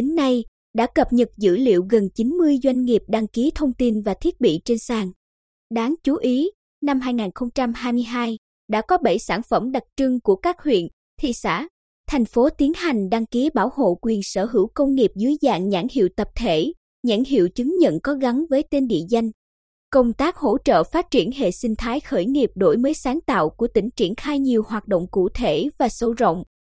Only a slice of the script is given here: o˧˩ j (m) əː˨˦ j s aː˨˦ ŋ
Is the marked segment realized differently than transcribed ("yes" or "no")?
no